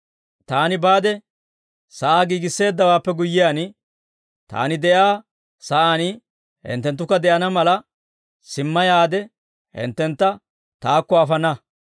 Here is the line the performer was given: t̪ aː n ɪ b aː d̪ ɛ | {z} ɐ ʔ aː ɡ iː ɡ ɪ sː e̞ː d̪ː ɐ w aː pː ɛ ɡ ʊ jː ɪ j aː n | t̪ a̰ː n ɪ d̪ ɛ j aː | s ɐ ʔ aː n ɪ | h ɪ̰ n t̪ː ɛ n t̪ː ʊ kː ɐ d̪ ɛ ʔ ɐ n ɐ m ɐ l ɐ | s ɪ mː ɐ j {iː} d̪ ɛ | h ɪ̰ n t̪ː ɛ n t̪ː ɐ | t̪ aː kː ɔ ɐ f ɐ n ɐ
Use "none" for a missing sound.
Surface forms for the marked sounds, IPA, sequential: s, aː

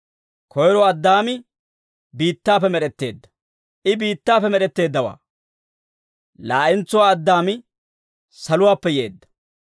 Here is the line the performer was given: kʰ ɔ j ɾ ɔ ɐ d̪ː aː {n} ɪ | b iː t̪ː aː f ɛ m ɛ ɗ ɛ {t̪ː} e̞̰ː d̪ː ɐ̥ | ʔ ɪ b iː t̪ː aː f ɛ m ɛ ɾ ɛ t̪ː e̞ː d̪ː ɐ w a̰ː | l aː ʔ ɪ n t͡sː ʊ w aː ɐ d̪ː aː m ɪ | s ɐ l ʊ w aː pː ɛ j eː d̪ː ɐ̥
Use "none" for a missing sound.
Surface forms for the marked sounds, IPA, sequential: m, t̪ː

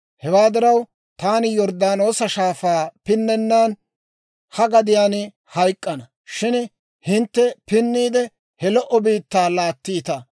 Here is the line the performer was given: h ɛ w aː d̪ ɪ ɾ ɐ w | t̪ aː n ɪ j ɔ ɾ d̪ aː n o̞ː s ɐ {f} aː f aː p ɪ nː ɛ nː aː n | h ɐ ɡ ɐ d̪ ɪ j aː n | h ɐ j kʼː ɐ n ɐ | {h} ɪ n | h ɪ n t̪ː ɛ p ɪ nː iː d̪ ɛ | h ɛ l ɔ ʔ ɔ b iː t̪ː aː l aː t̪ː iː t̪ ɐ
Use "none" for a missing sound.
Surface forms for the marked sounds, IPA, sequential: ʃ, ʃ

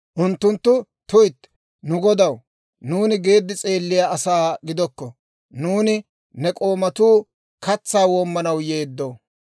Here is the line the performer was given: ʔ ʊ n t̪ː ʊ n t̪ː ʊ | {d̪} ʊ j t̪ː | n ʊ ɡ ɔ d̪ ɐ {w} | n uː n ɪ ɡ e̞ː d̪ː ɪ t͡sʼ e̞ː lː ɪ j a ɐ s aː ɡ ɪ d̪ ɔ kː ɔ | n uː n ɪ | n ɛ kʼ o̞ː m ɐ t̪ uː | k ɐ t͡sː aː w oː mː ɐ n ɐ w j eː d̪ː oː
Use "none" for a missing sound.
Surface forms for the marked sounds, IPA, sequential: t̪, w

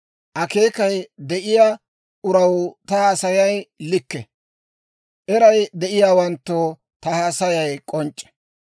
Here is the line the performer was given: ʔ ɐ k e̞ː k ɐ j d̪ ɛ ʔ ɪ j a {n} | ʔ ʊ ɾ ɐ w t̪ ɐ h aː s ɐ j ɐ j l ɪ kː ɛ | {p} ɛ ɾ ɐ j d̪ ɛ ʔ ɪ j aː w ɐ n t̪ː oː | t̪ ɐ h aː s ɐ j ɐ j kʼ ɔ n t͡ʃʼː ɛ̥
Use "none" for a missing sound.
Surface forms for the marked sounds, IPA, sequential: none, ʔ

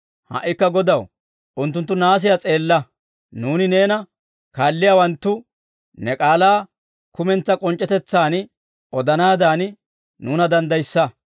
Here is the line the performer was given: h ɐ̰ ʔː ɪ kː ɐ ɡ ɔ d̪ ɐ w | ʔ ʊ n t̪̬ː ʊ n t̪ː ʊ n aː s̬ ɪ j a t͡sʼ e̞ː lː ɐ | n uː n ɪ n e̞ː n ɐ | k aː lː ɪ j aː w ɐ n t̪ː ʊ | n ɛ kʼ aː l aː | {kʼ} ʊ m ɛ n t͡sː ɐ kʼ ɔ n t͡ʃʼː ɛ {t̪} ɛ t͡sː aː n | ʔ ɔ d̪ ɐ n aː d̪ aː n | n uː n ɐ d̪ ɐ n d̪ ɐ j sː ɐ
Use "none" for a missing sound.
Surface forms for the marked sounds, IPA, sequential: k, t̪

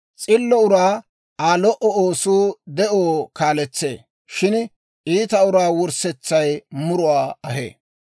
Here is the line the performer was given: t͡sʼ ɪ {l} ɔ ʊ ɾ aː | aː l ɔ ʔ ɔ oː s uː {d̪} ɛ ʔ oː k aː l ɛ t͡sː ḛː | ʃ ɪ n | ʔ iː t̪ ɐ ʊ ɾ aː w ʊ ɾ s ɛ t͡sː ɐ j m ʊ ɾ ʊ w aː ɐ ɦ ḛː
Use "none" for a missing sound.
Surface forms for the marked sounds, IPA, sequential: lː, d̪

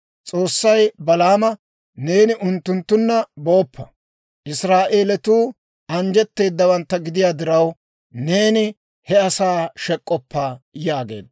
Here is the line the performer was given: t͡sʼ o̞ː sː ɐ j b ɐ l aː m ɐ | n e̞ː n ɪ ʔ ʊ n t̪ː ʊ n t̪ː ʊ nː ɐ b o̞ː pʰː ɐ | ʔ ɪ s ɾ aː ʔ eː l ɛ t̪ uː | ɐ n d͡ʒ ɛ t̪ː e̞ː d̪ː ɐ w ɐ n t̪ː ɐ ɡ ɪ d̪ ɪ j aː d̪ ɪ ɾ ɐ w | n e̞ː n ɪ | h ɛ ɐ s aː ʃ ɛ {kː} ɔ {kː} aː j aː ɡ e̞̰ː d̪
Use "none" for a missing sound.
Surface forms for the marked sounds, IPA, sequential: kʼː, pː

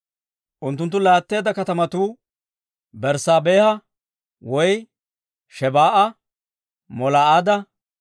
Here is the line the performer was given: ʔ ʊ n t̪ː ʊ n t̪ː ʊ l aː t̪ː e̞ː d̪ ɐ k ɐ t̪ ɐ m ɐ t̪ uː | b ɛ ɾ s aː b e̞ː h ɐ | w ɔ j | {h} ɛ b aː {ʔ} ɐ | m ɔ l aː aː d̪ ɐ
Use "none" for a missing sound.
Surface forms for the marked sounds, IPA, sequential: ʃ, ʔ

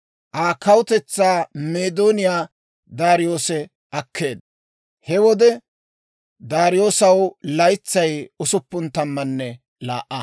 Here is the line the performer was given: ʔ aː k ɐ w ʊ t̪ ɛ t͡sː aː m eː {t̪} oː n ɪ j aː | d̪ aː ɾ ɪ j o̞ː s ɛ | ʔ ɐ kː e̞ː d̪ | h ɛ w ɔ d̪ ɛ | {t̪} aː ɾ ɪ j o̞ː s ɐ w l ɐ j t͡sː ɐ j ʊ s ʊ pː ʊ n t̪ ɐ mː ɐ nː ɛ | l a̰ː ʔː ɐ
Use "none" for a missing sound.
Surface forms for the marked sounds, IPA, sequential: d̪, d̪

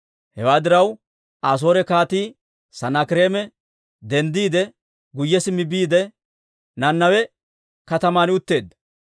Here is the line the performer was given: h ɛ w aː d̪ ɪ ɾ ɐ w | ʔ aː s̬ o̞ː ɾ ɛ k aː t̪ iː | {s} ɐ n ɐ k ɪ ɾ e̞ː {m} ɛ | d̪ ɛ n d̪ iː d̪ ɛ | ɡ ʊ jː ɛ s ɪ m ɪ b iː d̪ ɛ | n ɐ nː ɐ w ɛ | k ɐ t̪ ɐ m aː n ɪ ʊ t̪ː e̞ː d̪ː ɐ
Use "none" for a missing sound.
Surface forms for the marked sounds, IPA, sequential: s, m

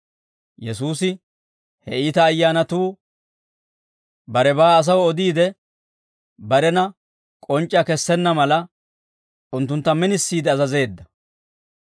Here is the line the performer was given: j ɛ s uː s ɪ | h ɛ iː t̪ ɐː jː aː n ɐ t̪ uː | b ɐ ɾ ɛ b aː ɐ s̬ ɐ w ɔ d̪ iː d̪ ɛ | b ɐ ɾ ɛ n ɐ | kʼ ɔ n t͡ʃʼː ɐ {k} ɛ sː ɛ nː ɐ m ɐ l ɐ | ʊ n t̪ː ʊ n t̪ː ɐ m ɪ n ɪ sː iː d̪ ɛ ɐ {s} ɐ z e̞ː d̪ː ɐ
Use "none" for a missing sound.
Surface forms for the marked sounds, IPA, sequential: k, z

